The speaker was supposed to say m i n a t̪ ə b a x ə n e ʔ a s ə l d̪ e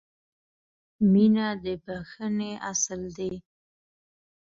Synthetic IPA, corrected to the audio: m i n a d̪ ə b a x ə n e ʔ a s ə l d̪ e